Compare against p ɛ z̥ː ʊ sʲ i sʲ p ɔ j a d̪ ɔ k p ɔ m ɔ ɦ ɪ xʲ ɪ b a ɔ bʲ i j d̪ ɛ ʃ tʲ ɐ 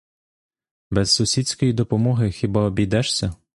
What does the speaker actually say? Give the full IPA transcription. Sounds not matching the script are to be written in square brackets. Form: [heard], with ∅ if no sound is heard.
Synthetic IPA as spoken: [b] ɛ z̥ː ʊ sʲ i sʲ [k] ɔ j [i] d̪ ɔ [∅] p ɔ m ɔ ɦ ɪ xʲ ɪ b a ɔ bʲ i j d̪ ɛ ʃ [sʲ] ɐ